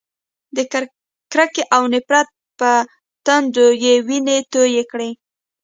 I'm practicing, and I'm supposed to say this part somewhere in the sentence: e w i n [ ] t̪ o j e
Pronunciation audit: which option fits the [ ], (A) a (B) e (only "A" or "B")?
B